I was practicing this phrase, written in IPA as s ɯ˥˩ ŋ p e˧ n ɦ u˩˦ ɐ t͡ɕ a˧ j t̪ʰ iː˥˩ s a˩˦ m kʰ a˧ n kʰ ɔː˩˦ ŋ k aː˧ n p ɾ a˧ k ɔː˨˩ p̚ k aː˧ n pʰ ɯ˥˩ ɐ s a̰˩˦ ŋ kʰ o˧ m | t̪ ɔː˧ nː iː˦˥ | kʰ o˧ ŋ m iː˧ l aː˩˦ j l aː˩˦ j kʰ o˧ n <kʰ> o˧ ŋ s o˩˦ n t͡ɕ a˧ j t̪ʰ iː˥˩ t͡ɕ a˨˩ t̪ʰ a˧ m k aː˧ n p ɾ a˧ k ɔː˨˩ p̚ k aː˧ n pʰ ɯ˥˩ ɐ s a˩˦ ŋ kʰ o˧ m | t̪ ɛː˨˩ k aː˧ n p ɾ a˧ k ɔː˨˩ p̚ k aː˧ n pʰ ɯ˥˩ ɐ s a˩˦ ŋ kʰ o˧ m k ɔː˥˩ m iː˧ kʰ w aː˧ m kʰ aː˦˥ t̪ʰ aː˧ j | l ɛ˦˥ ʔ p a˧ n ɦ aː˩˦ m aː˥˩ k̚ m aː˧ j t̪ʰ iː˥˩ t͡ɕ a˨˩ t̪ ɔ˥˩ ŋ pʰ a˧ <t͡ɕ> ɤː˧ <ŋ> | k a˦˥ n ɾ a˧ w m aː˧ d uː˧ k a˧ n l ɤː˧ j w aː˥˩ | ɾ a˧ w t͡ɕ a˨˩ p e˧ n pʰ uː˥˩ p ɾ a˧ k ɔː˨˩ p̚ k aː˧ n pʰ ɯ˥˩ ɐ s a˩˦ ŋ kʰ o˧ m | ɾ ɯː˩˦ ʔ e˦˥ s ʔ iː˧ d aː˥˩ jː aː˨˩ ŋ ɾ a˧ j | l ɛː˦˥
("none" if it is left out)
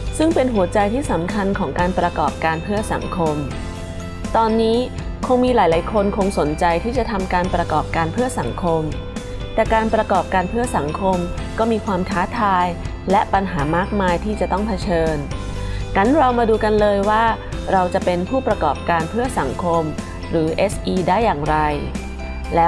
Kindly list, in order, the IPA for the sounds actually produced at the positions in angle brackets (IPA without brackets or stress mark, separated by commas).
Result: kʰ, t͡ɕʰ, n